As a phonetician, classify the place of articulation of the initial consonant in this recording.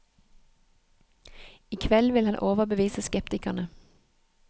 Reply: velar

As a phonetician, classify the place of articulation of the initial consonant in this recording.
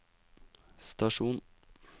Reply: alveolar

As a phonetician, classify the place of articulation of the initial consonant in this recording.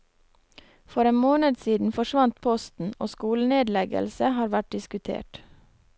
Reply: labial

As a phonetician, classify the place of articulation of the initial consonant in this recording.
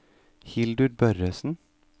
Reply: glottal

